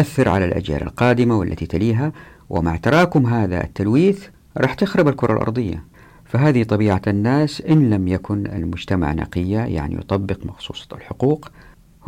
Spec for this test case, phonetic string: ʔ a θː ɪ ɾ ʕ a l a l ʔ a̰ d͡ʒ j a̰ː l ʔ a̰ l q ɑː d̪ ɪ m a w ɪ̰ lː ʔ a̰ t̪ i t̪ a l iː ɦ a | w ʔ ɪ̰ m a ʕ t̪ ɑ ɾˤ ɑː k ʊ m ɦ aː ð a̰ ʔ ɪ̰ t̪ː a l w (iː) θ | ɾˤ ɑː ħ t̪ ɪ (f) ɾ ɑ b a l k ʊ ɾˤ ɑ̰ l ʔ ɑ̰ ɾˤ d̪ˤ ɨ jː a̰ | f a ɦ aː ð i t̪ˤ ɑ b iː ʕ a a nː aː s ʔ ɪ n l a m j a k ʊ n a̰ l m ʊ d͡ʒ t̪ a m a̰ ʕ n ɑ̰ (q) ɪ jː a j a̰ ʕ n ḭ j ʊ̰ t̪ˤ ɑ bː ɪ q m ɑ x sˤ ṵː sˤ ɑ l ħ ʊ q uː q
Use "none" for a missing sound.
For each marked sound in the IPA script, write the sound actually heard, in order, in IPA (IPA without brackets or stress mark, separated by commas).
iː, x, q